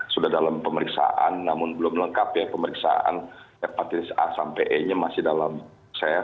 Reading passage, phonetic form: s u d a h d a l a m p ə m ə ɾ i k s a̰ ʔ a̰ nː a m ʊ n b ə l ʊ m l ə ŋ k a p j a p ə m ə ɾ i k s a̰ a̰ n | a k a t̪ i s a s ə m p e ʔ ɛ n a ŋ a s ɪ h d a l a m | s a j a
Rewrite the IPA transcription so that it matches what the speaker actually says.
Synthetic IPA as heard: s u d a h d a l a m p ə m ə ɾ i k s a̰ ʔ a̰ nː a m ʊ n b ə l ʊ m l ə ŋ k a p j a p ə m ə ɾ i k s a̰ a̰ n | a p a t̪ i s a s a m p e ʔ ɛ ɲ a m a s ɪ h d a l a m | s a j a